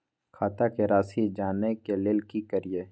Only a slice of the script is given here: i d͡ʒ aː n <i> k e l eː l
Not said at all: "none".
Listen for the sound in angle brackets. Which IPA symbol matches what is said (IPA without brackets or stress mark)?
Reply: e